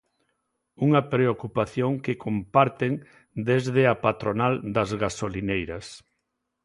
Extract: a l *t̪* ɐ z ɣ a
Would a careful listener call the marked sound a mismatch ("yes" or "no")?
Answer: yes